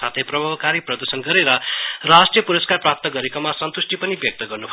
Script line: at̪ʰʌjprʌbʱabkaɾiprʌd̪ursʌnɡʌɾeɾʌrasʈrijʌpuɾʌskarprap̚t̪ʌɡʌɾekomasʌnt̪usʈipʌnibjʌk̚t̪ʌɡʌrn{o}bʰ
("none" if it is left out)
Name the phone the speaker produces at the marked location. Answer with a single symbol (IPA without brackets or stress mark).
u